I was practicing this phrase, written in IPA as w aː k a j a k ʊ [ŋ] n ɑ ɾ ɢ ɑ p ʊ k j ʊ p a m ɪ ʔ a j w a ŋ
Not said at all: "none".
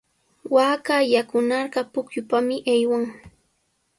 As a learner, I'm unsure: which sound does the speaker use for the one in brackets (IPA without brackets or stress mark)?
none